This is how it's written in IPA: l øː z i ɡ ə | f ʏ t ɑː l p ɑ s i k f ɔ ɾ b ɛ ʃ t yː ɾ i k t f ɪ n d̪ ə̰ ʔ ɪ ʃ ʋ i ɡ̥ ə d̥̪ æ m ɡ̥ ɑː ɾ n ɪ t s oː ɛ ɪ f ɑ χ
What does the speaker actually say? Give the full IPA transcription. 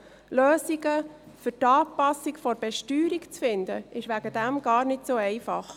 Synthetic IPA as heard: l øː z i ɡ ə | f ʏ t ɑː p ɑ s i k f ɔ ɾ b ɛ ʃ t yː ɾ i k t͡s f ɪ n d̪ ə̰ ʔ ɪ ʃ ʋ æ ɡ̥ ə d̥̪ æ m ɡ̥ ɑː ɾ n ɪ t s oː ɛ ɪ f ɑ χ